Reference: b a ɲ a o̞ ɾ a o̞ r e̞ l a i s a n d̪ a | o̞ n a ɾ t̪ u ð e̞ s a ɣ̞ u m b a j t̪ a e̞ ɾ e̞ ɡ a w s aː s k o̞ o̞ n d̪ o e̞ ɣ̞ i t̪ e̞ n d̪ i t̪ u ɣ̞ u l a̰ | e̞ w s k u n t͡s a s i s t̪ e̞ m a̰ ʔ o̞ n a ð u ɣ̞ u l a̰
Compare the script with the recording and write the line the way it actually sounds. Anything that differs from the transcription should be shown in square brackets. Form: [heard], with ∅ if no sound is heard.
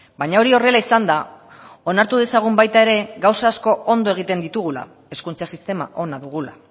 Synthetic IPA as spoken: b a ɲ a o̞ ɾ [i] o̞ r e̞ l a i s a n d̪ a | o̞ n a ɾ t̪ u ð e̞ s a ɣ̞ u m b a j t̪ a e̞ ɾ e̞ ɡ a w s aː s k o̞ o̞ n d̪ o e̞ ɣ̞ i t̪ e̞ n d̪ i t̪ u ɣ̞ u l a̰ | e̞ [∅] s k u n t͡s a s i s t̪ e̞ m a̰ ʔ o̞ n a ð u ɣ̞ u l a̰